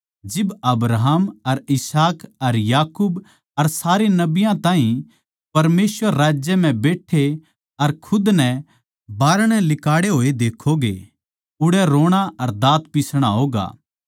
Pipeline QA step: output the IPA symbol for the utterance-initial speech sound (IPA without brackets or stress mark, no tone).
d͡ʒ